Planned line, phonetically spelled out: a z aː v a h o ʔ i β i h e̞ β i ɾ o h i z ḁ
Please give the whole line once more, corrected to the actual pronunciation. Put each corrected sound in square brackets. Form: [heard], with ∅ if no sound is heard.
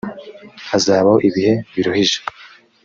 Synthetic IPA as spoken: a z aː [β] a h o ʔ i β i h e̞ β i ɾ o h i [ʒ] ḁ